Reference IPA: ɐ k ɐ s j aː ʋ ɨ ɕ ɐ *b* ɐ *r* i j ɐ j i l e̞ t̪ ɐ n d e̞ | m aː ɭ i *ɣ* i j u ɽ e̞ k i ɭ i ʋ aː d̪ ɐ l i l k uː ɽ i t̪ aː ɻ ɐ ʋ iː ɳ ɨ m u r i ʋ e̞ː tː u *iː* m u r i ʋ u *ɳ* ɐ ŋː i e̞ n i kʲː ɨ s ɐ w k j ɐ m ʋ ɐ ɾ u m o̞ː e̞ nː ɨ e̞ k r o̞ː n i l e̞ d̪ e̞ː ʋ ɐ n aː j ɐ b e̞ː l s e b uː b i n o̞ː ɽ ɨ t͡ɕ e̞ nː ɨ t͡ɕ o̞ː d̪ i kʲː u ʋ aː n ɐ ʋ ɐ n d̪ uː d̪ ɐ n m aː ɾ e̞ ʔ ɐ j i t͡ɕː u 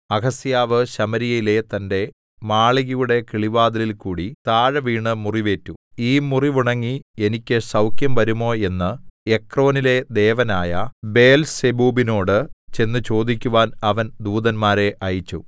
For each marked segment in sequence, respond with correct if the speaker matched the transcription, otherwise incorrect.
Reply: incorrect, incorrect, correct, correct, correct

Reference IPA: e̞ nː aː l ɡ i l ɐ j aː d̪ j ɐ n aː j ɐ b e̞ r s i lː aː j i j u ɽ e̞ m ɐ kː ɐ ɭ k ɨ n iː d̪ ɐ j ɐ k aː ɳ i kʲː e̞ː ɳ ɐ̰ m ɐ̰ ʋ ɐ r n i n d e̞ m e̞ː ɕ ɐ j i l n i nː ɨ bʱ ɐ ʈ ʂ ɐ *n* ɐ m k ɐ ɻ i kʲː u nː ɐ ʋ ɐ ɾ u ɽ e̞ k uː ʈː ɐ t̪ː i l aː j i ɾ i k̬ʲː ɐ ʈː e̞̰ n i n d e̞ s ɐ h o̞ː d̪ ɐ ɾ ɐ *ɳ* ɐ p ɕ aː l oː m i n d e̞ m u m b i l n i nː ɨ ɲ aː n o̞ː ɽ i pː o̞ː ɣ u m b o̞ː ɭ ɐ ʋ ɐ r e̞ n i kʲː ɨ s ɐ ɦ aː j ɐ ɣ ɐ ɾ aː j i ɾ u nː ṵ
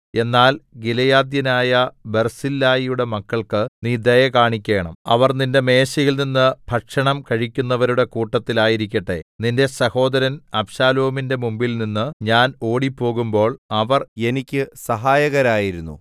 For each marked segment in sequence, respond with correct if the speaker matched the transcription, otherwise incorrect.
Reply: incorrect, incorrect

